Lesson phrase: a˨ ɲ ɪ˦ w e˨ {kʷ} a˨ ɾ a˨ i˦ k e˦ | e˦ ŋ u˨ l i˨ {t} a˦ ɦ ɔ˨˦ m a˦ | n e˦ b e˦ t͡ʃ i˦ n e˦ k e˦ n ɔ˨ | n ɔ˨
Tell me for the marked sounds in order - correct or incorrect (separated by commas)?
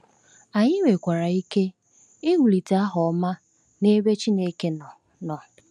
correct, correct